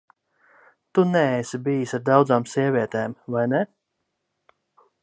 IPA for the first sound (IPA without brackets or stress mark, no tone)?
t̪